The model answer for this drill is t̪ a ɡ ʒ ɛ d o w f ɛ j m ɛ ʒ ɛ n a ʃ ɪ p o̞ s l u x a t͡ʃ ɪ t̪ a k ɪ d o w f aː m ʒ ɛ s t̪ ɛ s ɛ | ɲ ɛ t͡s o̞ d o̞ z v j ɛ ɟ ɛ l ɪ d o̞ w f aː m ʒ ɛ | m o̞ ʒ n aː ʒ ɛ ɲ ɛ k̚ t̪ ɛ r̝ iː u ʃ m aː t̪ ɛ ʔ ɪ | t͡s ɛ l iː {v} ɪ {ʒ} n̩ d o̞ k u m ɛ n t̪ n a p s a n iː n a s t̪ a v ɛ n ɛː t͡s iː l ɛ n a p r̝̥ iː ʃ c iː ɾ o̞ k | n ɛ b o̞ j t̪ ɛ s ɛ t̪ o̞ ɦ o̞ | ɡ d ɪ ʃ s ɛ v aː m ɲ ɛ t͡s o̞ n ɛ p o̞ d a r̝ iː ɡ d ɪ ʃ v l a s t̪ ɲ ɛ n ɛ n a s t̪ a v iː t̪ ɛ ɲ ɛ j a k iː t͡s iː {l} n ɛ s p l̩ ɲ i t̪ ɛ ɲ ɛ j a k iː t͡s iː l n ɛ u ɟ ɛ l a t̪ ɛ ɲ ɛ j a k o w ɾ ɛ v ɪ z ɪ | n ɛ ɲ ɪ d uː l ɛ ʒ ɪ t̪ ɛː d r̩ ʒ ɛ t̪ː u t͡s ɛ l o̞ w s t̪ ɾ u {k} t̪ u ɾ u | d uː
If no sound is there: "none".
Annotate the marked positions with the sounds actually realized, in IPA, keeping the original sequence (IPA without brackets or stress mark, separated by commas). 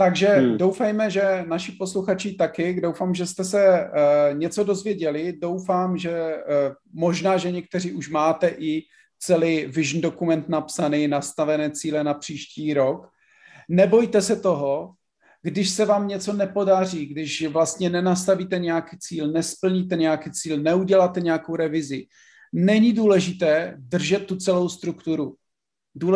v, ʒ, l, k